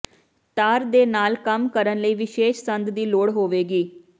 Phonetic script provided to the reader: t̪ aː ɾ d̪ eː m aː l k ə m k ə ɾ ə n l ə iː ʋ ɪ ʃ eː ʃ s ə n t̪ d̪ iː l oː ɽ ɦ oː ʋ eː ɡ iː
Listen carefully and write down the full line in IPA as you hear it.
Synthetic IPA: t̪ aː ɾ d̪ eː n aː l k ə m k ə ɾ ə n l ə iː ʋ ɪ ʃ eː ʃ s ə n d̪ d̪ iː l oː ɽ ɦ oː ʋ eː ɡ iː